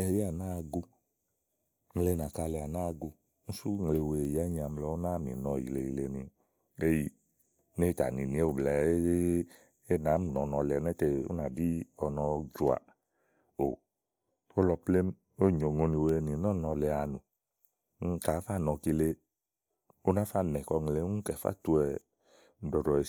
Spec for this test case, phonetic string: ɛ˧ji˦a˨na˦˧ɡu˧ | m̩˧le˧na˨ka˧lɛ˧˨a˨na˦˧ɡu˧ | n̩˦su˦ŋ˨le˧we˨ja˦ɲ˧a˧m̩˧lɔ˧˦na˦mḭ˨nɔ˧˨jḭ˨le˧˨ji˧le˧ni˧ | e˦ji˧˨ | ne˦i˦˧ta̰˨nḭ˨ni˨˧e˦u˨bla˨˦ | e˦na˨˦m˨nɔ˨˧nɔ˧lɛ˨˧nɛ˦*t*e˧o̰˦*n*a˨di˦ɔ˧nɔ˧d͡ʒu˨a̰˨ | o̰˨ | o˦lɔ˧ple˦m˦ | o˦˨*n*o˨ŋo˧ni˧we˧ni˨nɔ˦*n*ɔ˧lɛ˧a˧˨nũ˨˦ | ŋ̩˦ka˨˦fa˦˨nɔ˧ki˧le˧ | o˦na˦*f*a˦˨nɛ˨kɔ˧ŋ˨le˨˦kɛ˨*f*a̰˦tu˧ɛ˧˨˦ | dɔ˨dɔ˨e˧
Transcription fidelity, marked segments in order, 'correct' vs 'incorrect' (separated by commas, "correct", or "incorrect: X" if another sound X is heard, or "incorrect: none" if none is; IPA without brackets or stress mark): correct, correct, incorrect: ɲ, correct, correct, correct